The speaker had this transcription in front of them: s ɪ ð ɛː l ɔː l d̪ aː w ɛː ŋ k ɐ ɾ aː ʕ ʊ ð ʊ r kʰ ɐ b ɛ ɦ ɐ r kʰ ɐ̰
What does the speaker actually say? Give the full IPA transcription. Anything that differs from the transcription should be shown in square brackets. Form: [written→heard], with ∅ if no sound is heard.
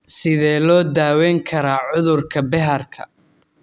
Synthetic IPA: s ɪ ð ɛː l ɔː [l→∅] d̪ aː w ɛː ŋ [k→kʰ] ɐ ɾ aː ʕ ʊ ð ʊ r kʰ ɐ b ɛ ɦ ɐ r kʰ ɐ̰

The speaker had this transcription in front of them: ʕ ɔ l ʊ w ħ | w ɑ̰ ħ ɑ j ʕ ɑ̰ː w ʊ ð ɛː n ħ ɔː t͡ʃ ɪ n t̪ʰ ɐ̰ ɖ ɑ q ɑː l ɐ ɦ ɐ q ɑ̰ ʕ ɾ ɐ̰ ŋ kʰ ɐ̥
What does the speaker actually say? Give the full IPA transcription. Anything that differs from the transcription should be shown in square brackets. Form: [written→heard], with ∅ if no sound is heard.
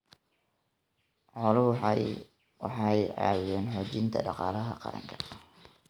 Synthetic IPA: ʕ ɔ l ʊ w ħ | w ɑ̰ ħ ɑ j ʕ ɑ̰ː w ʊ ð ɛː n ħ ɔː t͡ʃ ɪ n t̪ʰ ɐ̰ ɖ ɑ q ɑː l ɐ ɦ ɐ q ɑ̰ [ʕ→∅] ɾ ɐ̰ ŋ kʰ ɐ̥

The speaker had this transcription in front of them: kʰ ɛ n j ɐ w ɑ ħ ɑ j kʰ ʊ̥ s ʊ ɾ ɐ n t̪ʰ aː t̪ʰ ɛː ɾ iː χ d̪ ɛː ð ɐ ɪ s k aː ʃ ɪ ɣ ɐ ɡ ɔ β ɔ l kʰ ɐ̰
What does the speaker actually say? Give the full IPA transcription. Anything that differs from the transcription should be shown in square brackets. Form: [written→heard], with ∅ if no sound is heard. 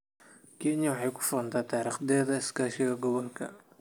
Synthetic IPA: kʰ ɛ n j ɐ w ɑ ħ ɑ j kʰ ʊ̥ [s→f] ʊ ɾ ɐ n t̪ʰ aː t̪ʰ [ɛː→aː] ɾ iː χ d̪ ɛː ð ɐ ɪ s k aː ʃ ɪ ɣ ɐ ɡ ɔ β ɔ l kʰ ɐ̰

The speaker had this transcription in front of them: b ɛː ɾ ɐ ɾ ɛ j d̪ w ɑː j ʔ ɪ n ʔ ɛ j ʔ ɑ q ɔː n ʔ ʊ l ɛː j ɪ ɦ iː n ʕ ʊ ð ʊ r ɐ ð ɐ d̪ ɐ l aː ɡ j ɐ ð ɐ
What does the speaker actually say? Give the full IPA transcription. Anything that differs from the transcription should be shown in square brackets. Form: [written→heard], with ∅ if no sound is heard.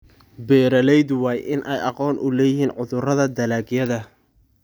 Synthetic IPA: b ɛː ɾ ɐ [ɾ→l] ɛ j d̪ w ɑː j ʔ ɪ n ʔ ɛ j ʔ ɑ q ɔː n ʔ ʊ l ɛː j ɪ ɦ iː n ʕ ʊ ð ʊ r ɐ ð ɐ d̪ ɐ l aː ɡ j ɐ ð ɐ

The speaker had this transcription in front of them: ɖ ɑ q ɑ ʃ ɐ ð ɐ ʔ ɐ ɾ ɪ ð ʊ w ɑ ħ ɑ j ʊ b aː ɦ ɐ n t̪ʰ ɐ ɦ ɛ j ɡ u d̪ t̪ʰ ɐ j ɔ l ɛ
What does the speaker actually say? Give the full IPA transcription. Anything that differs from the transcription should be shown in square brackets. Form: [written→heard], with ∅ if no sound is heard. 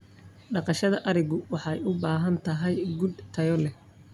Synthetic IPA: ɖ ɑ q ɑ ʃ ɐ ð ɐ ʔ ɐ ɾ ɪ [ð→ɣ] ʊ w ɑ ħ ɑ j ʊ b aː ɦ ɐ n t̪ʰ ɐ ɦ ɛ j ɡ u d̪ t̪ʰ ɐ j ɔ l ɛ

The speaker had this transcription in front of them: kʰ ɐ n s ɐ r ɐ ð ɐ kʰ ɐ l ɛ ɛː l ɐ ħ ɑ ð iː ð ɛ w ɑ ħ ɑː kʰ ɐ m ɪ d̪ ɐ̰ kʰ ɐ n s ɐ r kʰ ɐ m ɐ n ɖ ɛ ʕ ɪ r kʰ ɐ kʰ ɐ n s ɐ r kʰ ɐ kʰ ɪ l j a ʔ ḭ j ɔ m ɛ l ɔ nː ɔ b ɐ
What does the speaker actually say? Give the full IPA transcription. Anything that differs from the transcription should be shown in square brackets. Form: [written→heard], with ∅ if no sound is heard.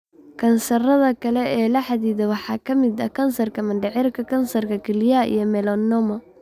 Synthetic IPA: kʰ ɐ n s ɐ r ɐ ð ɐ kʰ ɐ l ɛ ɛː l ɐ ħ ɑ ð iː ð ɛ w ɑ ħ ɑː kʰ ɐ m ɪ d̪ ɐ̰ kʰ ɐ n s ɐ r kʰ ɐ m ɐ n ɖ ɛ ʕ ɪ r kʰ ɐ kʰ ɐ n s ɐ r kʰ ɐ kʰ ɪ l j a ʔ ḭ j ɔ m ɛ l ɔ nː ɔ [b→m] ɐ

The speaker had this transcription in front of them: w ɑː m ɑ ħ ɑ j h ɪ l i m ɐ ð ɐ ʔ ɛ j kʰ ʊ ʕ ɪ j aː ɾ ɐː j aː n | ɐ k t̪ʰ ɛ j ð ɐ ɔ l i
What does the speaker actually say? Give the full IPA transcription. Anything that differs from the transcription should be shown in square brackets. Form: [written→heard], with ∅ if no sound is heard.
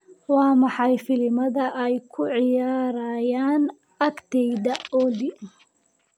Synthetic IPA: w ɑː m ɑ ħ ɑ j [h→f] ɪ l [i→ɪ] m ɐ ð ɐ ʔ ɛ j kʰ ʊ ʕ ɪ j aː ɾ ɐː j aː n | ɐ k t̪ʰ ɛ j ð ɐ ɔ l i

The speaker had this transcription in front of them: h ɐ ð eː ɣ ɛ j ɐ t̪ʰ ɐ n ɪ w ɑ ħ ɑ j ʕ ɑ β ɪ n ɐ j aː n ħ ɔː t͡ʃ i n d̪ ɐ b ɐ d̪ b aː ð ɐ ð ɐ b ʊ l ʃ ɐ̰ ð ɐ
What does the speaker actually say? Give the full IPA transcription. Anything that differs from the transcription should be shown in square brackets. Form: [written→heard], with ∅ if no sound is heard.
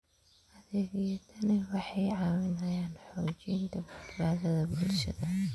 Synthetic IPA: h ɐ ð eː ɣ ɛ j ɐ t̪ʰ ɐ n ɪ w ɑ ħ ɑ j ʕ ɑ [β→w] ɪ n ɐ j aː n ħ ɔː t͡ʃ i n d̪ ɐ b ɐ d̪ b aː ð ɐ ð ɐ b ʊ l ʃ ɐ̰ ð ɐ

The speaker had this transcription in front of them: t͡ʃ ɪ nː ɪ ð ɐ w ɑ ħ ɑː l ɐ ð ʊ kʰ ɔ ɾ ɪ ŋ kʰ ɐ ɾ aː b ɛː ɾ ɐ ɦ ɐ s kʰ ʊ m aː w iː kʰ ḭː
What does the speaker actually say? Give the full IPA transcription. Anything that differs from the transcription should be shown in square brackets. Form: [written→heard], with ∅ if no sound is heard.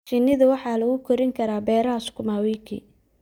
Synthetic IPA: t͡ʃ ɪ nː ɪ ð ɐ w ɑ ħ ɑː l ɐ [ð→ɣ] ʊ kʰ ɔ ɾ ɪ ŋ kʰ ɐ ɾ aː b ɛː ɾ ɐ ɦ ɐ s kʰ ʊ m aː w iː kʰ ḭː

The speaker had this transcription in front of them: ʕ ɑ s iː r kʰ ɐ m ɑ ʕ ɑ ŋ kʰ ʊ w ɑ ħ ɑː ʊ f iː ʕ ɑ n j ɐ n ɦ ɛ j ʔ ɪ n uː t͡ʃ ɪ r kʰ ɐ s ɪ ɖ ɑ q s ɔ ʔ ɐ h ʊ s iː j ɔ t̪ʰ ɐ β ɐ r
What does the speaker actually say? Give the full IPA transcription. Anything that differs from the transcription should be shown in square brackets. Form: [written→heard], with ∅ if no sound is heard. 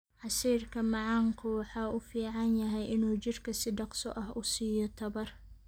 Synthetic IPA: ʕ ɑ s iː r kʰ ɐ m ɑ ʕ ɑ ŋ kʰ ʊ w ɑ ħ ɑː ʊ f iː ʕ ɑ n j ɐ [n→∅] ɦ ɛ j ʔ ɪ n uː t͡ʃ ɪ r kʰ ɐ s ɪ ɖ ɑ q s ɔ ʔ ɐ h ʊ s iː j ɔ t̪ʰ ɐ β ɐ r

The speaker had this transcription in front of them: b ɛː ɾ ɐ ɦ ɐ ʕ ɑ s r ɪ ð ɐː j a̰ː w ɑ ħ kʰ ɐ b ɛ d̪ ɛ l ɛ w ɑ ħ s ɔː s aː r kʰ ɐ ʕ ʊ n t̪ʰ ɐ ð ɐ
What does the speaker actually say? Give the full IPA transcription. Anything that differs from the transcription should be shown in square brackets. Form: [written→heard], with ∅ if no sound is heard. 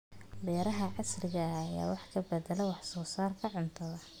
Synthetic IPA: b ɛː ɾ ɐ ɦ ɐ ʕ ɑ s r ɪ [ð→ɣ] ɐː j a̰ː w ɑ ħ kʰ ɐ b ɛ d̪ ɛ l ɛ w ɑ ħ s ɔː s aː r kʰ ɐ ʕ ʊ n t̪ʰ ɐ ð ɐ

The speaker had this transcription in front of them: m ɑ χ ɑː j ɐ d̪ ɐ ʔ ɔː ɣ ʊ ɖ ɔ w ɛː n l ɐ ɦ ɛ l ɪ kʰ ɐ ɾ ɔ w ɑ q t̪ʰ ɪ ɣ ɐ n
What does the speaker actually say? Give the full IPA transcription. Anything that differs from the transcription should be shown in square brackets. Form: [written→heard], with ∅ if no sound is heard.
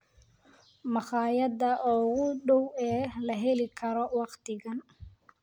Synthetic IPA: m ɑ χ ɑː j ɐ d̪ ɐ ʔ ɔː ɣ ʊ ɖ ɔ w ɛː [n→∅] l ɐ ɦ ɛ l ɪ kʰ ɐ ɾ ɔ w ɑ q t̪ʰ ɪ ɣ ɐ n

